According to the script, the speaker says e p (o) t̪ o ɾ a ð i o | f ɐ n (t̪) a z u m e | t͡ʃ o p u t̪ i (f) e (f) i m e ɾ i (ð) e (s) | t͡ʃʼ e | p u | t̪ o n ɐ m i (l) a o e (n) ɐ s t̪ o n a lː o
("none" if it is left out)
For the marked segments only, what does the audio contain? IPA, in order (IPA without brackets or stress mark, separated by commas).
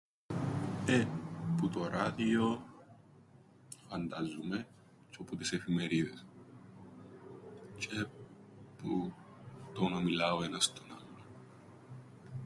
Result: u, d̪, s, f, ð, s, l, n